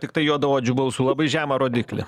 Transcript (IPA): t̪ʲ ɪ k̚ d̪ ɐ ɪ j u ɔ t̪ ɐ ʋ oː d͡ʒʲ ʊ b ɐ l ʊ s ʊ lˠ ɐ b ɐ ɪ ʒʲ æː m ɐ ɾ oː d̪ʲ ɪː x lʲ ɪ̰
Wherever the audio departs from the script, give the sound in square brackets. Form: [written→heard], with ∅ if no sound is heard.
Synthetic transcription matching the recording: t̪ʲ ɪ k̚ [d̪→t̪] ɐ ɪ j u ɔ [t̪→d̪] ɐ ʋ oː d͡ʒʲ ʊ b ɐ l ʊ s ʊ lˠ ɐ b ɐ ɪ ʒʲ æː m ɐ ɾ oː d̪ʲ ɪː [x→k] lʲ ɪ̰

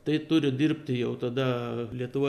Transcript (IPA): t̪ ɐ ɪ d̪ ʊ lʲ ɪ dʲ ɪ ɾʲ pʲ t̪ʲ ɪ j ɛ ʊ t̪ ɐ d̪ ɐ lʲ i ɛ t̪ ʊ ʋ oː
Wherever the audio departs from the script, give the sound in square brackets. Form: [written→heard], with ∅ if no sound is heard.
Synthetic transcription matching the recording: t̪ ɐ ɪ [d̪→t̪] ʊ [lʲ→ɾʲ] ɪ dʲ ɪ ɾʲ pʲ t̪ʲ ɪ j ɛ ʊ t̪ ɐ d̪ ɐ lʲ i ɛ t̪ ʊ ʋ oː

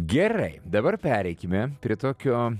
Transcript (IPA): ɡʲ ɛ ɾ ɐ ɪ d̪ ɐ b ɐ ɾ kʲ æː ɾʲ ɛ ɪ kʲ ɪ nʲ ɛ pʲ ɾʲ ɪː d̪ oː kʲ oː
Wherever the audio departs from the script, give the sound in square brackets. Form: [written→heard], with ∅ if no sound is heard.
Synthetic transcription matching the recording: ɡʲ ɛ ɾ ɐ ɪ d̪ ɐ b ɐ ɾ [kʲ→pʲ] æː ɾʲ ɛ ɪ kʲ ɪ [nʲ→mʲ] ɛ pʲ ɾʲ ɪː [d̪→t̪] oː kʲ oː

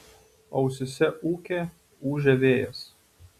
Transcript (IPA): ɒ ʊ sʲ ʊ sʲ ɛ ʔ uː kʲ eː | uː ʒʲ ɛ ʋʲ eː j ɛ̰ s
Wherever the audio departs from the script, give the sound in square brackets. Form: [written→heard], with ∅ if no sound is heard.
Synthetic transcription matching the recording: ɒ ʊ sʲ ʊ sʲ ɛ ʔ uː kʲ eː | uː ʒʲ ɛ ʋʲ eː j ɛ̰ s

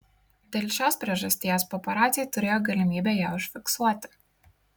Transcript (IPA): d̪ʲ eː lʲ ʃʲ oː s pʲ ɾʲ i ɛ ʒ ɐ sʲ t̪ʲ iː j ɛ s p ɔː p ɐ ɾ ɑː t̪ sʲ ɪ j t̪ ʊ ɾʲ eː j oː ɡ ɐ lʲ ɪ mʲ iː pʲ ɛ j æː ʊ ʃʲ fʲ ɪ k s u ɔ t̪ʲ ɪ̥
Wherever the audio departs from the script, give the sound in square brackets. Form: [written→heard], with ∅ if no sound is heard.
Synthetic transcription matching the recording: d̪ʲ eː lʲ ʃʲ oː s pʲ ɾʲ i ɛ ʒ ɐ sʲ t̪ʲ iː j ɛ s p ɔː p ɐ ɾ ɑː t̪ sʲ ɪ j t̪ ʊ ɾʲ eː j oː ɡ ɐ lʲ ɪ mʲ iː [pʲ→bʲ] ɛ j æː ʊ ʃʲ fʲ ɪ k s u ɔ t̪ʲ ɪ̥

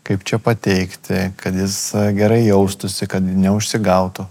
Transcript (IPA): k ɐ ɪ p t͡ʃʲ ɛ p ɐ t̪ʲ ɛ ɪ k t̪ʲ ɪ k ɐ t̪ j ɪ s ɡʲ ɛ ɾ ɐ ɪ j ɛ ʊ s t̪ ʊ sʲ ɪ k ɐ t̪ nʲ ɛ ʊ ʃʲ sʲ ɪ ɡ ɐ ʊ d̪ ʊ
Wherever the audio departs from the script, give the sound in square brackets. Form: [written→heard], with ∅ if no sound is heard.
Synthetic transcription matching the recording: k ɐ ɪ p t͡ʃʲ ɛ p ɐ t̪ʲ ɛ ɪ k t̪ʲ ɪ k ɐ t̪ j ɪ s ɡʲ ɛ ɾ ɐ ɪ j ɛ ʊ s t̪ ʊ sʲ ɪ k ɐ t̪ nʲ ɛ ʊ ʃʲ sʲ ɪ ɡ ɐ ʊ [d̪→t̪] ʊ

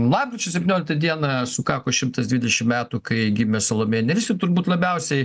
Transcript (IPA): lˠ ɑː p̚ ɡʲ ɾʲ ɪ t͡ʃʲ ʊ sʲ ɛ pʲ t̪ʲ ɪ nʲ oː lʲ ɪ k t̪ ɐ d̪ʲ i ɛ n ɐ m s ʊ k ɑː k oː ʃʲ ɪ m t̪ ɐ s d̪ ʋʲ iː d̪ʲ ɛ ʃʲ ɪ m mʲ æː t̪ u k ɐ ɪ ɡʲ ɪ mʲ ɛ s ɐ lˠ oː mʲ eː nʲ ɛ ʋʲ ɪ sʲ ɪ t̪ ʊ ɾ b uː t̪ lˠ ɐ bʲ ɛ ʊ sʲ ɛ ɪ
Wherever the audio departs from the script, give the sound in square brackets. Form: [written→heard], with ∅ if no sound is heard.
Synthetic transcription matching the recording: lˠ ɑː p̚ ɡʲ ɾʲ ɪ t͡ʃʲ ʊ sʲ ɛ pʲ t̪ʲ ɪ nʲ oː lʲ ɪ k t̪ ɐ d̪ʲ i ɛ n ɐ [m→∅] s ʊ k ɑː k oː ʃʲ ɪ m t̪ ɐ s d̪ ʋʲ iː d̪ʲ ɛ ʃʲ ɪ m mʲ æː t̪ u k ɐ ɪ ɡʲ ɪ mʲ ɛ s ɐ lˠ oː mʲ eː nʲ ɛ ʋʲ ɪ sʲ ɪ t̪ ʊ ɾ b uː t̪ lˠ ɐ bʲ ɛ ʊ sʲ ɛ ɪ

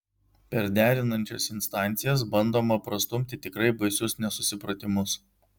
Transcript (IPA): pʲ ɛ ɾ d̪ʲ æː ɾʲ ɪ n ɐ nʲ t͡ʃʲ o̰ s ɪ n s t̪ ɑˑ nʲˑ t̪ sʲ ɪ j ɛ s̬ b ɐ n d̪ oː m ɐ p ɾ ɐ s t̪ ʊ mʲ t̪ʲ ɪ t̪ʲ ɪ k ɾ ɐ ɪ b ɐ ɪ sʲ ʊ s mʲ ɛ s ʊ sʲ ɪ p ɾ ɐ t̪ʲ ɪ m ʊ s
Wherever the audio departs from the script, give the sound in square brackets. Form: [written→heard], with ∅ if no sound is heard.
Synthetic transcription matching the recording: pʲ ɛ ɾ d̪ʲ æː ɾʲ ɪ n ɐ nʲ t͡ʃʲ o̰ s ɪ n s t̪ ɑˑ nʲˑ t̪ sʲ ɪ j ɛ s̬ b ɐ n d̪ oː m ɐ p ɾ ɐ s t̪ ʊ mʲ t̪ʲ ɪ t̪ʲ ɪ k ɾ ɐ ɪ b ɐ ɪ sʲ ʊ s [mʲ→nʲ] ɛ s ʊ sʲ ɪ p ɾ ɐ t̪ʲ ɪ m ʊ s

